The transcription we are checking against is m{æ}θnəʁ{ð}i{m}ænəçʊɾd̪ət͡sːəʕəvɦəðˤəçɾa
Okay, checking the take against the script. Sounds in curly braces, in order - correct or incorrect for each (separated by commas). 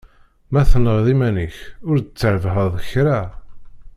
correct, correct, correct